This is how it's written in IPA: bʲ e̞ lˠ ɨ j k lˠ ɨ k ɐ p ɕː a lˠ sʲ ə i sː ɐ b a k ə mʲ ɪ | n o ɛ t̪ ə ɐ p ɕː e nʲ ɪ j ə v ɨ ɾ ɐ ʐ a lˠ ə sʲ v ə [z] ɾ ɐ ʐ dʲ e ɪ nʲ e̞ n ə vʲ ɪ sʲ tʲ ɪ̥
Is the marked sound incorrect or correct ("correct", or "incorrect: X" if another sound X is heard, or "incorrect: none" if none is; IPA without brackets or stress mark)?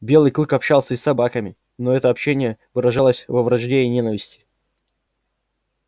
incorrect: v